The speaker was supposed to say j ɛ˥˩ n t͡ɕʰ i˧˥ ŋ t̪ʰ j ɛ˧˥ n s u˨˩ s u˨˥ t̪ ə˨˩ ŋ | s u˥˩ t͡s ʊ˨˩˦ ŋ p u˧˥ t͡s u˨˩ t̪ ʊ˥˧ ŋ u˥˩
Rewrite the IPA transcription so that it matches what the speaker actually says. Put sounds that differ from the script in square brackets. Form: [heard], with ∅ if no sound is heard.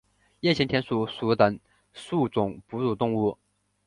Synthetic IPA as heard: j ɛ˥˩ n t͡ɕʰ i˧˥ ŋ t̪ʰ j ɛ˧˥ n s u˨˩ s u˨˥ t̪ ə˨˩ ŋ | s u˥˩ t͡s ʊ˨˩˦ ŋ p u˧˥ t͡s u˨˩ t̪ ʊ˥˧ ŋ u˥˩